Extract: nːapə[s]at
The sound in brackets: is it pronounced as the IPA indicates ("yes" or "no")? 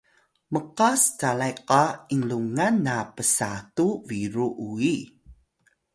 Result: yes